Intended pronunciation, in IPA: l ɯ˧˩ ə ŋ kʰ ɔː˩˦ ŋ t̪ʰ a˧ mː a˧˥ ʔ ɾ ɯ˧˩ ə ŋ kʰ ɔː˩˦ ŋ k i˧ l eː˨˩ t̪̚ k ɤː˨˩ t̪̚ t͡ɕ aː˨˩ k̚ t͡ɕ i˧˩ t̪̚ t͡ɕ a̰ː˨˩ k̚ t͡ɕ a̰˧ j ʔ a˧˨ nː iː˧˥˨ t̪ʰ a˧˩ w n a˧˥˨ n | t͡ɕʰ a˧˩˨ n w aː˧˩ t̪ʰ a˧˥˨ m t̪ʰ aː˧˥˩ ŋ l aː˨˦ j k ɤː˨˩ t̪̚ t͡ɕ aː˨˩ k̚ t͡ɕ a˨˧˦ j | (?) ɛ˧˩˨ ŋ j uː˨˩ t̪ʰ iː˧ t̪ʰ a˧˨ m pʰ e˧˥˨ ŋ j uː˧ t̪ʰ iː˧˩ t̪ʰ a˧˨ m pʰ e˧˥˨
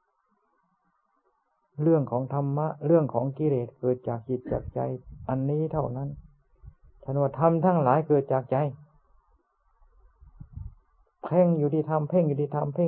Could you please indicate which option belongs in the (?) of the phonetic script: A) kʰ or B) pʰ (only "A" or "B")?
B